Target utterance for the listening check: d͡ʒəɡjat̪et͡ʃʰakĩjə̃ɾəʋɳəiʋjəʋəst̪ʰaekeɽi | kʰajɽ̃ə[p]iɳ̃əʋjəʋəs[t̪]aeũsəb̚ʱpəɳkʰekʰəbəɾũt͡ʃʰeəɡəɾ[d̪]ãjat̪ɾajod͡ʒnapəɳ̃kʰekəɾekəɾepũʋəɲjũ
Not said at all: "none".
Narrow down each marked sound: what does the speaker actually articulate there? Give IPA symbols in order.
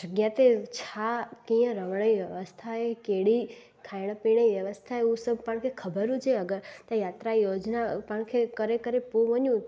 p, t̪ʰ, t̪

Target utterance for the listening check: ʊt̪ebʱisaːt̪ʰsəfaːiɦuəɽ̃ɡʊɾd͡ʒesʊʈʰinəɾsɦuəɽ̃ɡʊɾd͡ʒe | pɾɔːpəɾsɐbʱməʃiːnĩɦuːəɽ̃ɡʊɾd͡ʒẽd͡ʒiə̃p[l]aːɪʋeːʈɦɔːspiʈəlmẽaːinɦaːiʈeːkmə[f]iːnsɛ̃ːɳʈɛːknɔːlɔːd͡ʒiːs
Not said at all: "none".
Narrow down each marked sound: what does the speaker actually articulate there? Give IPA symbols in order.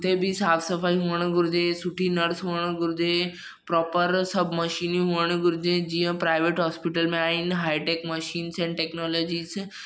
ɾ, ʃ

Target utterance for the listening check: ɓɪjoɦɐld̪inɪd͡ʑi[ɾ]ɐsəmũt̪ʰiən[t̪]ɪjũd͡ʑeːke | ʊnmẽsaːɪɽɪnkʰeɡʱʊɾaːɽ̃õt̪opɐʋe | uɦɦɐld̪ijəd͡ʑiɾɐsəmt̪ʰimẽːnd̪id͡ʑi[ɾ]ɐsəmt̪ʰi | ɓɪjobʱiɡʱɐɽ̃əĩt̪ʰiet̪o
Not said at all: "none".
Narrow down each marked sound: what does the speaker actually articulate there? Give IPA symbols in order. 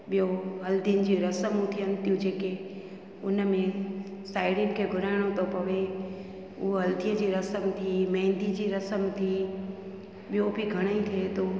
ɾ, t̪, ɾ

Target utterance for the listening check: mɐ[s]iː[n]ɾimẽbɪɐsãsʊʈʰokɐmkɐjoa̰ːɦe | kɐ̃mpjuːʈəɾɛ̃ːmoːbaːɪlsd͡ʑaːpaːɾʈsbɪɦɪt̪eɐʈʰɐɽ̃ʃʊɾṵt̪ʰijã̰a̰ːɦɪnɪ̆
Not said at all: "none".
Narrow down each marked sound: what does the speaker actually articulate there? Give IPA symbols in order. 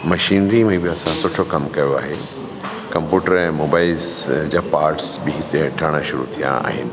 ʃ, n

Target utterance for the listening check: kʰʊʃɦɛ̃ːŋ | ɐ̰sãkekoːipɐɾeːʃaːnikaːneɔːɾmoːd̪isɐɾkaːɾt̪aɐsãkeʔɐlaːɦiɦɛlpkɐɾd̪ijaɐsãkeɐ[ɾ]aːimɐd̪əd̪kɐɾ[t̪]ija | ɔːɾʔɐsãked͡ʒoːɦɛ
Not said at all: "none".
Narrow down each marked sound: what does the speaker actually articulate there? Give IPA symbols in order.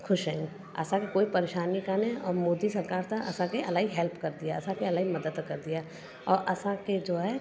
l, d̪

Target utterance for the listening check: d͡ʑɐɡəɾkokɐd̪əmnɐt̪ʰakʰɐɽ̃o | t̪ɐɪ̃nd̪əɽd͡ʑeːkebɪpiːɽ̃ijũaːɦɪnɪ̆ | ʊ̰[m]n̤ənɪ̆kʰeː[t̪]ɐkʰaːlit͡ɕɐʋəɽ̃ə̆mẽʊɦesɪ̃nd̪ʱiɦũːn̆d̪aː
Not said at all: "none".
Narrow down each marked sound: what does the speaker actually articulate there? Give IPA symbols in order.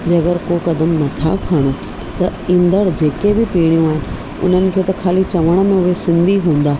none, t̪

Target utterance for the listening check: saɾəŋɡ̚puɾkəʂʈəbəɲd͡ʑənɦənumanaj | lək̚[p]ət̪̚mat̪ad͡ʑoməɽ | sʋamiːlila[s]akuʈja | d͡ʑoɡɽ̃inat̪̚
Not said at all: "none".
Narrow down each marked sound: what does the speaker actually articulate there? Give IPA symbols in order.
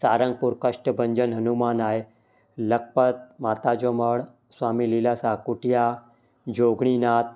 p, s

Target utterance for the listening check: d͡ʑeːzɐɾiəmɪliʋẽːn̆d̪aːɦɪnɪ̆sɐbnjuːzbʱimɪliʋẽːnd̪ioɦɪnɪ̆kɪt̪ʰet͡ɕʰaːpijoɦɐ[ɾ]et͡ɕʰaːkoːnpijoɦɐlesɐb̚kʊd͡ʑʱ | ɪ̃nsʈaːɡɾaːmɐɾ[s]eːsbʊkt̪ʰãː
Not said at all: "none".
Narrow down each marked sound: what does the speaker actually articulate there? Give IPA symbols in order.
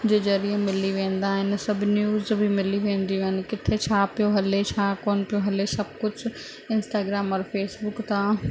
l, f

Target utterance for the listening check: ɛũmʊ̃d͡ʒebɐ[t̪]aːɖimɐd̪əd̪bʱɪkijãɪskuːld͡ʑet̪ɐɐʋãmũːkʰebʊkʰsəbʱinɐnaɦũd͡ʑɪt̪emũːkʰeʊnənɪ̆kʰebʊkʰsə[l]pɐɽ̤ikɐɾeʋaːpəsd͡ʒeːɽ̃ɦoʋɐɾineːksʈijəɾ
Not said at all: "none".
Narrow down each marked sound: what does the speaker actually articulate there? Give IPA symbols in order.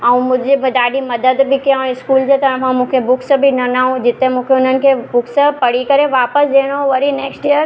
d̪, none

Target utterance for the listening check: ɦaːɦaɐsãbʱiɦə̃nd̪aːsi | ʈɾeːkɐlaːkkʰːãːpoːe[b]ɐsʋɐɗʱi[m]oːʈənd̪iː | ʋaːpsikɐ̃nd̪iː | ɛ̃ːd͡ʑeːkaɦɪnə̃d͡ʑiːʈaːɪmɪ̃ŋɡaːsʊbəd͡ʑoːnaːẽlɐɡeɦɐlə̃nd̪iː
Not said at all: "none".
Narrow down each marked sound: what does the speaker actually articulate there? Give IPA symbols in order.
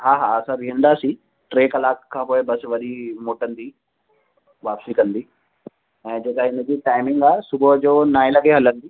b, m

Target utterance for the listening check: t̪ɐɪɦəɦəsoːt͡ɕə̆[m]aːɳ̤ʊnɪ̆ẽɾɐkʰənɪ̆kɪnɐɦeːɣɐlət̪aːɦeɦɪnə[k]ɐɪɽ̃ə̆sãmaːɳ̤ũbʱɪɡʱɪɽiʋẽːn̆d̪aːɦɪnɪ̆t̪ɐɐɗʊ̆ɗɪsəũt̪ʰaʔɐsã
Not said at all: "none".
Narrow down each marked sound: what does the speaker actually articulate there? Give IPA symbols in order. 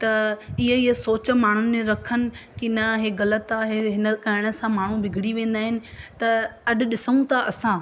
m, k

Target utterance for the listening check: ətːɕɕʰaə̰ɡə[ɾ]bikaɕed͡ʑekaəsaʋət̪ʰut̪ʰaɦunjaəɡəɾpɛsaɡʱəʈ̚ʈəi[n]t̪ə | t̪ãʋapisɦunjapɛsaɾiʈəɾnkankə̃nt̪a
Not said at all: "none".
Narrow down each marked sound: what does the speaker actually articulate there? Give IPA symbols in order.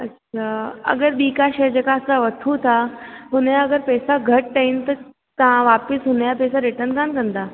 ɾ, n

